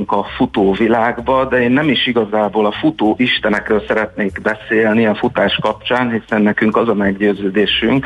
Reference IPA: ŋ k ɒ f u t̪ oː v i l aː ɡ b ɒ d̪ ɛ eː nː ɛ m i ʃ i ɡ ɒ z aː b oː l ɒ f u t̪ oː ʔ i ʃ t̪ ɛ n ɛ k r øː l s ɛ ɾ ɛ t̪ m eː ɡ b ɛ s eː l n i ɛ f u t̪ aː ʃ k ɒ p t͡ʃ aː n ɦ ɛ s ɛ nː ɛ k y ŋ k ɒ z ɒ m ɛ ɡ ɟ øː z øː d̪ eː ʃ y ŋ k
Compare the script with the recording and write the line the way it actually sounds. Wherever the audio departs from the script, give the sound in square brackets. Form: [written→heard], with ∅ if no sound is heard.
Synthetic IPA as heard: ŋ k ɒ f u t̪ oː v i l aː ɡ b ɒ d̪ ɛ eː nː ɛ m i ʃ i ɡ ɒ z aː b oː l ɒ f u t̪ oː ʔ i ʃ t̪ ɛ n ɛ k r øː l s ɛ ɾ ɛ t̪ [m→n] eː ɡ b ɛ s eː l n i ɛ f u t̪ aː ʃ k ɒ p t͡ʃ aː n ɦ [ɛ→i] s ɛ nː ɛ k y ŋ k ɒ z ɒ m ɛ ɡ ɟ øː z øː d̪ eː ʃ y ŋ k